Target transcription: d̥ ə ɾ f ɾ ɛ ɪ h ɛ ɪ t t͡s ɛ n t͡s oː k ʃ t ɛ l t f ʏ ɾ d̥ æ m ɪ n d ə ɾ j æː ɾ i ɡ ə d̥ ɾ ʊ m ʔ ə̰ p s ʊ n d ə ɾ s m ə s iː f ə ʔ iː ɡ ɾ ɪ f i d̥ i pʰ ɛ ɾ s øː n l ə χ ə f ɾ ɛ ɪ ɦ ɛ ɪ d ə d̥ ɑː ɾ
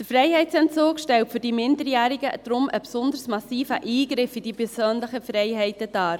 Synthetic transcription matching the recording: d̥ ə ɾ f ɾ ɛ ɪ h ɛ ɪ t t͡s ɛ n t͡s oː k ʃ t ɛ l t f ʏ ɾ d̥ i m ɪ n d ə ɾ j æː ɾ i ɡ ə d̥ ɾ ʊ m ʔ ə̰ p s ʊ n d ə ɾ s m ɑ s iː f ə ʔ iː ɡ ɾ ɪ f i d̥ i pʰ ɛ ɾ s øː n l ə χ ə f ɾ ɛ ɪ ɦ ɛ ɪ t ə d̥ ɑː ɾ